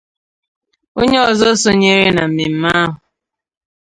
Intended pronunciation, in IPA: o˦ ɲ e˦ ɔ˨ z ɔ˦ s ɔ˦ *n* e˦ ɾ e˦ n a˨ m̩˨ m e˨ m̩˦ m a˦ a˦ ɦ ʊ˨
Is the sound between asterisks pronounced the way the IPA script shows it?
no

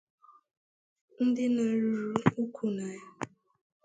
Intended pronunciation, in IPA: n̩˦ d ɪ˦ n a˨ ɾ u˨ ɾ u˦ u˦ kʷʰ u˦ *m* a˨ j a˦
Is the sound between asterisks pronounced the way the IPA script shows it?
no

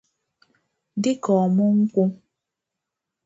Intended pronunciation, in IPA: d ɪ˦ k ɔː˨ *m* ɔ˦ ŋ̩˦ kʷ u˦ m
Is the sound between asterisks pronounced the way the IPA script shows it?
yes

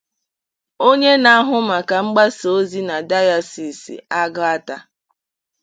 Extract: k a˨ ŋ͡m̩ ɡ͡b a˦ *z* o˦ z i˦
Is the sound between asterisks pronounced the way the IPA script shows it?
no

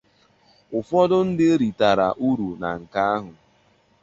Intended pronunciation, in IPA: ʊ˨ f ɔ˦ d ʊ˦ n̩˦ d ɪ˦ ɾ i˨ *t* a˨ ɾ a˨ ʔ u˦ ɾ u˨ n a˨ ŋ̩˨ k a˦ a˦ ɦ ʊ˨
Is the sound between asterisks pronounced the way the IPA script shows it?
yes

